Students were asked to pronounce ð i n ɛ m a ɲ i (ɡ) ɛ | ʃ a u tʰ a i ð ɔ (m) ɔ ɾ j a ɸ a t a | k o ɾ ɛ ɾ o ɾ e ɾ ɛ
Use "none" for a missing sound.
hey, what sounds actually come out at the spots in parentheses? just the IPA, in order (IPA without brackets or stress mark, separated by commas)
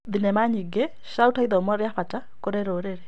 ɡ, m